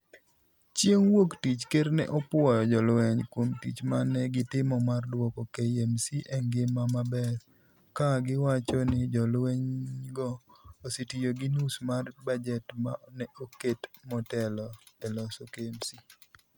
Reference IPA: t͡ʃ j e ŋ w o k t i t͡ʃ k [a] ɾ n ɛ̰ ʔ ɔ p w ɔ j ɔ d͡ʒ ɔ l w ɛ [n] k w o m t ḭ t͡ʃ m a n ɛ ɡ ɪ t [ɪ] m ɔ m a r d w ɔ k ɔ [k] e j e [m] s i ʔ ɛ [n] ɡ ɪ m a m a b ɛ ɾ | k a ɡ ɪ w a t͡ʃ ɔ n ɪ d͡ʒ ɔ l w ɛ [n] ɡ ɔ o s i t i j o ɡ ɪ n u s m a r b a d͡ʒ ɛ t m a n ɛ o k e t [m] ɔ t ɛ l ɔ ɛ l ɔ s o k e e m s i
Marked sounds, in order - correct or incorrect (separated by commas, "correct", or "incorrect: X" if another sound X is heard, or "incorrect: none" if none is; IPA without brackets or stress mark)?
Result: incorrect: e, incorrect: ɲ, correct, correct, correct, incorrect: ŋ, incorrect: ɲ, correct